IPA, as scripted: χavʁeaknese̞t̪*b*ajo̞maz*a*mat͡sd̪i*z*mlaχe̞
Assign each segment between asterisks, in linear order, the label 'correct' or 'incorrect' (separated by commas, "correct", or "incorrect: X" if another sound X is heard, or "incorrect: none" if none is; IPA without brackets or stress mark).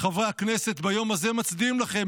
correct, incorrect: e, incorrect: none